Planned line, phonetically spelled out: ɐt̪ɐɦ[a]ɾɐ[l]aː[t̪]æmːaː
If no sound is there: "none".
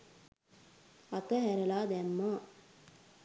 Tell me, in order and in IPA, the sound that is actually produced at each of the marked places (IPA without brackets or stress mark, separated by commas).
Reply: æ, l, d̪